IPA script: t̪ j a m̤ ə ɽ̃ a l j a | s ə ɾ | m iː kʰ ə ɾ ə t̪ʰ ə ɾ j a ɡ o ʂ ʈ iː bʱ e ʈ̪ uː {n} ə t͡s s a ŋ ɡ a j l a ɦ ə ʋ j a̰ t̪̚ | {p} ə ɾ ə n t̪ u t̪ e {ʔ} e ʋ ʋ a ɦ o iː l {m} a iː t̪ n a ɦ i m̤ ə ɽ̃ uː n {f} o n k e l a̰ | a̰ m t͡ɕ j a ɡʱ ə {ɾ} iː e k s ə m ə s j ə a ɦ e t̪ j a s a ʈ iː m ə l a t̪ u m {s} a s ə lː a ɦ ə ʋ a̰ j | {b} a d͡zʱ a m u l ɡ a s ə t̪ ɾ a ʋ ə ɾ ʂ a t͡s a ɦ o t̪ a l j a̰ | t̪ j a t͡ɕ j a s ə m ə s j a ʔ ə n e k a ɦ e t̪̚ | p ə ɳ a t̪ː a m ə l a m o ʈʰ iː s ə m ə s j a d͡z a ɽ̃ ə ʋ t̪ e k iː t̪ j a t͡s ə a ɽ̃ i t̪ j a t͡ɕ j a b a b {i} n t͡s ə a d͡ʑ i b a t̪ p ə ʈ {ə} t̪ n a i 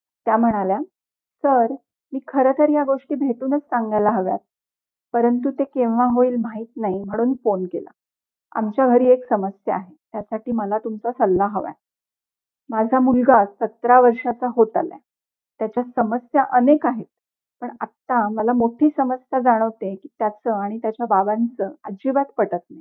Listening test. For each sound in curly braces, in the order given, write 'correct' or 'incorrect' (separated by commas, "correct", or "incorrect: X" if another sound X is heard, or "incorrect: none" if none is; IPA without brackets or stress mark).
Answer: correct, correct, incorrect: k, correct, correct, correct, incorrect: t͡s, incorrect: m, incorrect: a, correct